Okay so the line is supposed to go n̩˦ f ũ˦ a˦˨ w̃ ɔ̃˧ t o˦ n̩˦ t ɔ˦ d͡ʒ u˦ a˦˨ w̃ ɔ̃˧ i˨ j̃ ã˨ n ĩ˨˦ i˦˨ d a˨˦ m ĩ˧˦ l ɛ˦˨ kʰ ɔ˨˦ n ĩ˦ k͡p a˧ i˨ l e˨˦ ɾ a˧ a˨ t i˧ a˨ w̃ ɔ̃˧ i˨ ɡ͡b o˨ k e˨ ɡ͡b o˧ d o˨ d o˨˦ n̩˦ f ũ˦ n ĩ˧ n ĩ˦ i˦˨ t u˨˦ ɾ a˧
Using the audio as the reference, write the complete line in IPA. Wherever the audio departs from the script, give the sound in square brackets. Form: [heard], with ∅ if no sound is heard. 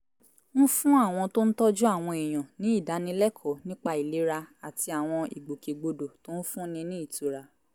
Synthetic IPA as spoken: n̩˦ f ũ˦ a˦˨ w̃ ɔ̃˧ t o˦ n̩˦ t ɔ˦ d͡ʒ u˦ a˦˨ w̃ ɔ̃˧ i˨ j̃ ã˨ n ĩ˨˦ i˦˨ d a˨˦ [n] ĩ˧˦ l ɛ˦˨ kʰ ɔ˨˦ n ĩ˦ k͡p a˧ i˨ l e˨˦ ɾ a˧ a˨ t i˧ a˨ w̃ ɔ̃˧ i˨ ɡ͡b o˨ k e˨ ɡ͡b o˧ d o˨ [t] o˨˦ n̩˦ f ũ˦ n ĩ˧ n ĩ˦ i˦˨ t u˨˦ ɾ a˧